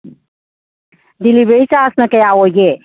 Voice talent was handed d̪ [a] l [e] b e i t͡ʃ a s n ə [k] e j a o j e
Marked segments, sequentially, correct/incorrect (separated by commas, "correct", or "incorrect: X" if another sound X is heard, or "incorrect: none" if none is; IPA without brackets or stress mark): incorrect: i, incorrect: i, correct